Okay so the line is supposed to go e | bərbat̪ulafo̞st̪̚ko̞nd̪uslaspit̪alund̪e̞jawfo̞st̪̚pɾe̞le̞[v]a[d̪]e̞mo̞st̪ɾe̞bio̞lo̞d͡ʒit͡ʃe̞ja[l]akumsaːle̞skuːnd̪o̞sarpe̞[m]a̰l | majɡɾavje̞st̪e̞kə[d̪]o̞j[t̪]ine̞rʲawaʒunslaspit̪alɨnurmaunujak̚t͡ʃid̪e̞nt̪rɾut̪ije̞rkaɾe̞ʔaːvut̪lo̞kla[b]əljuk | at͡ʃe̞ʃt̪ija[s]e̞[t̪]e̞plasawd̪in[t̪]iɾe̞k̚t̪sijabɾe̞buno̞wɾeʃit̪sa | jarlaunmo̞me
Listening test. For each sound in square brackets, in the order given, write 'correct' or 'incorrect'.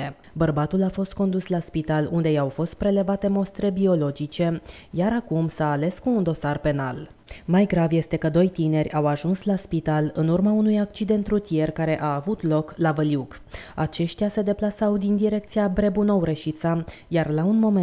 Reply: correct, incorrect, incorrect, incorrect, correct, correct, incorrect, correct, incorrect, incorrect

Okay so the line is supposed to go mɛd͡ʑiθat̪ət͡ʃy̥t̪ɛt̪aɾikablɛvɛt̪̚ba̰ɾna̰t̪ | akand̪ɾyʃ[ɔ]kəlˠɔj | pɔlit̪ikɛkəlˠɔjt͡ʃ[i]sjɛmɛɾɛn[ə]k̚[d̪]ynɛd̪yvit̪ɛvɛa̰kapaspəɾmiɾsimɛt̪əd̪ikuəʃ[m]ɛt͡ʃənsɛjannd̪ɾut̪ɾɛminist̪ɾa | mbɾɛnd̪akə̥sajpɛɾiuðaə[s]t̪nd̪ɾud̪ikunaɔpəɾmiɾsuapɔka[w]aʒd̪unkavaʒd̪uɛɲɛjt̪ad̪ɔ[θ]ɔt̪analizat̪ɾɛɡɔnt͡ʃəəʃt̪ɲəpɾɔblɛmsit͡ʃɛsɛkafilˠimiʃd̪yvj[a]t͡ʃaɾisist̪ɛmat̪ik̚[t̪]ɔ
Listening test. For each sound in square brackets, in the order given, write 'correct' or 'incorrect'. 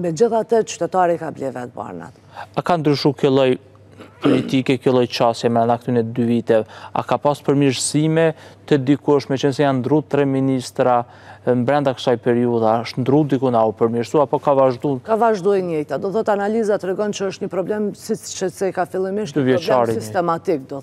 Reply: incorrect, incorrect, incorrect, incorrect, correct, incorrect, incorrect, correct, incorrect, incorrect

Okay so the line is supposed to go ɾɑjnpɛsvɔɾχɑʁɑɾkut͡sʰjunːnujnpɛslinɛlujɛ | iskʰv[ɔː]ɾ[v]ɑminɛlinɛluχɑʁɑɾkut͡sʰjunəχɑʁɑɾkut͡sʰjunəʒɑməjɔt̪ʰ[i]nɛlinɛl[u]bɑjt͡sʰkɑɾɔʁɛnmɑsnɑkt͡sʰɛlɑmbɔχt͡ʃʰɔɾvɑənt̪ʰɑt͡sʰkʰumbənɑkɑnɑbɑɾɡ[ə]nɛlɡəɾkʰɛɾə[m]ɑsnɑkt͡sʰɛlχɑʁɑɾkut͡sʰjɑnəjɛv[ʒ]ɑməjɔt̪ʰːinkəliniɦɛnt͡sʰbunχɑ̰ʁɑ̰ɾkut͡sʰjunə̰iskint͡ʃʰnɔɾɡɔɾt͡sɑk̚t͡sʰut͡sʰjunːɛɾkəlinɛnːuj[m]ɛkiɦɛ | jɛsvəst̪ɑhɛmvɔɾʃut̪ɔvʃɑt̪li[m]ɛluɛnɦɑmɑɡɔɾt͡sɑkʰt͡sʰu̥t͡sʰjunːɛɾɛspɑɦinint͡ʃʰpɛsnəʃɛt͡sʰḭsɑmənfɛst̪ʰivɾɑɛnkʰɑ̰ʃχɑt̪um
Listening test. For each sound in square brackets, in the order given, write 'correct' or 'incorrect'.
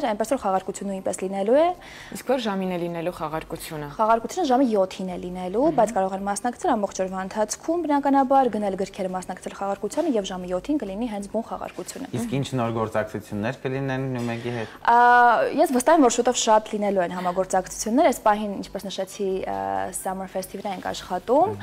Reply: incorrect, incorrect, correct, correct, correct, correct, correct, correct, incorrect

